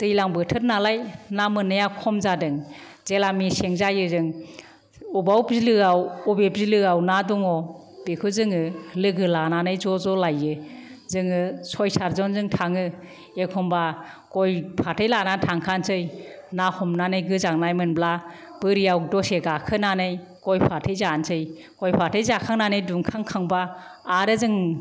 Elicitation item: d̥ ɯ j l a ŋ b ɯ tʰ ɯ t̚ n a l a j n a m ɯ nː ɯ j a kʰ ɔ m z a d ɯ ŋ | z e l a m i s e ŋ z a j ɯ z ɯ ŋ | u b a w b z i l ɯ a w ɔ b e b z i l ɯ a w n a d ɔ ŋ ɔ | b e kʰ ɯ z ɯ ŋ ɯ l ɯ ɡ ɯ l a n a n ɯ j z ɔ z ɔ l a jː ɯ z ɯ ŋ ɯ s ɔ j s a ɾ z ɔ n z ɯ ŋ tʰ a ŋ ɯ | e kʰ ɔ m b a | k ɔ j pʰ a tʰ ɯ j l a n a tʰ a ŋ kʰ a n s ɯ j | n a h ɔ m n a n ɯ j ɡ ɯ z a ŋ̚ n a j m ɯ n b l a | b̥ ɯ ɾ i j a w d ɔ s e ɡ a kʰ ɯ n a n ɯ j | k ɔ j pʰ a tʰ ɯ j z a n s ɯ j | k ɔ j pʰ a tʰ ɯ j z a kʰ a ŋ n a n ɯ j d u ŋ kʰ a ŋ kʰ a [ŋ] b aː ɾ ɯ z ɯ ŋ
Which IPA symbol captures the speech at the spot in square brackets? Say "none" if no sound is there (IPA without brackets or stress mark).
ŋ